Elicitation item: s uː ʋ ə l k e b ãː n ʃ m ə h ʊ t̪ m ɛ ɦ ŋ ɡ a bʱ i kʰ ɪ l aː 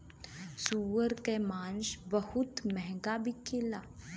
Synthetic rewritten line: s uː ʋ ə ɾ k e m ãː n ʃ b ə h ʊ t̪ m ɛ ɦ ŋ ɡ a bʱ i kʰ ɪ l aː